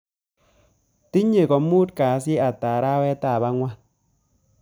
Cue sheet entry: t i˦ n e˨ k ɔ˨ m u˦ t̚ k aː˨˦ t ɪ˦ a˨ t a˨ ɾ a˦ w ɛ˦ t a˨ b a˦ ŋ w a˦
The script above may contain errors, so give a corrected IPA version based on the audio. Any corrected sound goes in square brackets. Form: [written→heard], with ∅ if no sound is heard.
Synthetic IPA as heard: t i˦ [n→ɲ] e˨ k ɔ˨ m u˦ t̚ k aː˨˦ [t→s] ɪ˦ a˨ t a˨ ɾ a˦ w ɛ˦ t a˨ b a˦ ŋ w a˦